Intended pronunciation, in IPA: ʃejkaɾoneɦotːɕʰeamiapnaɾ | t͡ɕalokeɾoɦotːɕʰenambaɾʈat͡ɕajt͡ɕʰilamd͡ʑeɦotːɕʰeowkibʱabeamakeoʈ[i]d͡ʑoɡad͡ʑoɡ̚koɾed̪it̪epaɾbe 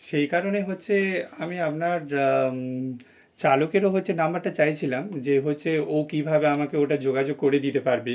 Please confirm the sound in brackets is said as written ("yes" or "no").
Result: no